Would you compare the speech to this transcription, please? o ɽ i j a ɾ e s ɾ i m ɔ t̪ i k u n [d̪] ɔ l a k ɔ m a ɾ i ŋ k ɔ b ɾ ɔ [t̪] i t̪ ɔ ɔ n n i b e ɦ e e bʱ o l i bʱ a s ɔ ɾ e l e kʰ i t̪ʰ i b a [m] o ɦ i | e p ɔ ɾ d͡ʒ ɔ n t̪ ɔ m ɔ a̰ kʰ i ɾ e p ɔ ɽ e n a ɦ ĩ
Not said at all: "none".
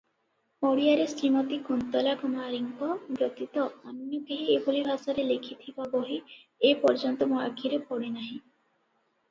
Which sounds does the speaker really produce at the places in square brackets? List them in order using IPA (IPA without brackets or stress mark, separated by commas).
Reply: t̪, t̪, b